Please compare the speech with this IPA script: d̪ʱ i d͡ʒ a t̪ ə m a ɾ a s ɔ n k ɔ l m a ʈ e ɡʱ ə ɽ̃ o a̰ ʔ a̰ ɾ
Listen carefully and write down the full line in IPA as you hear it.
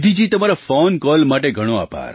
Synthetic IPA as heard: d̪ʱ i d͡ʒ i t̪ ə m a ɾ a f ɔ n k ɔ l m a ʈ e ɡʱ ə ɽ̃ o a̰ p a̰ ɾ